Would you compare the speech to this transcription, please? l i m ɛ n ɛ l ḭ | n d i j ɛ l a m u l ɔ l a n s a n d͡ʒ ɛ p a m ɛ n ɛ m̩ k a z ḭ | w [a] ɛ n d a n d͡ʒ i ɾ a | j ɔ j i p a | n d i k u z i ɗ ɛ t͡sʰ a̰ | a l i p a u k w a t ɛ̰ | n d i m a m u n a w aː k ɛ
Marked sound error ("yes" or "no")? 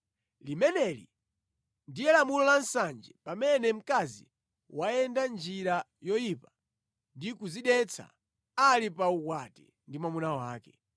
no